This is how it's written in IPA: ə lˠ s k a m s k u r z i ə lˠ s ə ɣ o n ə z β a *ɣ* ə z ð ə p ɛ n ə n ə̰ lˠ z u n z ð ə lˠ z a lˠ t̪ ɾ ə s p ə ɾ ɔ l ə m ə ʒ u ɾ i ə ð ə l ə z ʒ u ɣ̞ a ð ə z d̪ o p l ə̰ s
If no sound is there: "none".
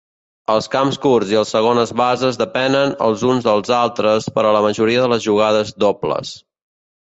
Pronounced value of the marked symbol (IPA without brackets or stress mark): z